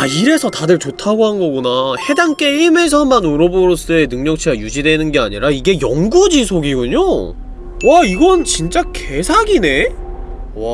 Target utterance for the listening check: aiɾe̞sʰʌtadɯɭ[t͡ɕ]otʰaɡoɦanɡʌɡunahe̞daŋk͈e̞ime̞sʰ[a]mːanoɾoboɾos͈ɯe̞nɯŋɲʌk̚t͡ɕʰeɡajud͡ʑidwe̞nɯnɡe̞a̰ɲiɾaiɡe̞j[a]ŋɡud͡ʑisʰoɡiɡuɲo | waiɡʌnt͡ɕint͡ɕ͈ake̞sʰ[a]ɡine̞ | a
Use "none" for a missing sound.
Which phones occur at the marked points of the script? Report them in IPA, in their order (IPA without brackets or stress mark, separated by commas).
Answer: t͡ɕ, ʌ, ʌ, a